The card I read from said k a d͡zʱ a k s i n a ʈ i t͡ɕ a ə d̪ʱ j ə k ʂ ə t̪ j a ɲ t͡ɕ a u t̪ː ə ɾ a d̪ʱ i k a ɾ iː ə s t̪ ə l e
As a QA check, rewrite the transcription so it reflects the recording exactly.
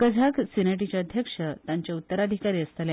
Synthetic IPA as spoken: k ə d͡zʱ a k s i n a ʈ i t͡ɕ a ə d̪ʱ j ə k ʂ ə t̪ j a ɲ t͡ɕ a u t̪ː ə ɾ a d̪ʱ i k a ɾ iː ə s t̪ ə l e